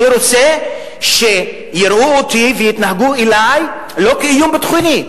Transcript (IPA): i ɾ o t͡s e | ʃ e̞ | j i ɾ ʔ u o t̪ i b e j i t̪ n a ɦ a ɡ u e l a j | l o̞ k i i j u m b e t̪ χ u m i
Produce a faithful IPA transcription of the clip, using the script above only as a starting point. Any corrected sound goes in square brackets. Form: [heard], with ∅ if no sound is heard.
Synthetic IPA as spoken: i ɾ o t͡s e | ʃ e̞ | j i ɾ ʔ u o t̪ i [v] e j i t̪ n a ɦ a ɡ u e l a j | l o̞ k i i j u m b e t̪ χ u [n] i